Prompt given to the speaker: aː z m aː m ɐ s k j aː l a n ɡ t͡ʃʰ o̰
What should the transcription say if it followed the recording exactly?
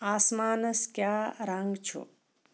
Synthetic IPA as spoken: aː s m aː n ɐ s k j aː ɾ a ŋ ɡ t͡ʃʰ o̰